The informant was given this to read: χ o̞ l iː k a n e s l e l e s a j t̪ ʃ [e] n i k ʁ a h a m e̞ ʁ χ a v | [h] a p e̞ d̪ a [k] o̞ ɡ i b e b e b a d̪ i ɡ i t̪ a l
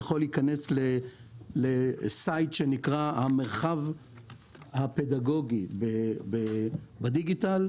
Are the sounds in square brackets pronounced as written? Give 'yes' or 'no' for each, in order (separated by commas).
yes, yes, no